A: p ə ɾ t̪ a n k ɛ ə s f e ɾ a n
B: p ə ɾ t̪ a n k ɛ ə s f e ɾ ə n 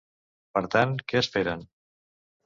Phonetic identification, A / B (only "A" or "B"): B